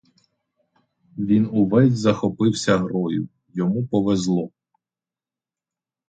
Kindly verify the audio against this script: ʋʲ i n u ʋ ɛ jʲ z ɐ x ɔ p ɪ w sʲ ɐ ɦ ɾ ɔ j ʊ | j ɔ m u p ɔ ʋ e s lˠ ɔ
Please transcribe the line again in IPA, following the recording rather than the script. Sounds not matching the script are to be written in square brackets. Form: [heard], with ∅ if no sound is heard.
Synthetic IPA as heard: ʋʲ i n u ʋ ɛ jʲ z ɐ x ɔ p ɪ w sʲ ɐ ɦ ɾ ɔ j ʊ | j ɔ m u p ɔ ʋ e [z] lˠ ɔ